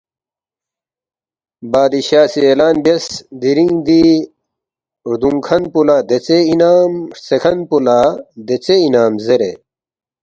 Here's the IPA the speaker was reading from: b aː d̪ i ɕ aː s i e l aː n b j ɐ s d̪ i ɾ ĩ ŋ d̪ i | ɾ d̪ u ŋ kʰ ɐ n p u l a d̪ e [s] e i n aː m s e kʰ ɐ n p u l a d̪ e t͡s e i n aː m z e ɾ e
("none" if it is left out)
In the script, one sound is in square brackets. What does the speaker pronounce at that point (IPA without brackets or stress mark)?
t͡s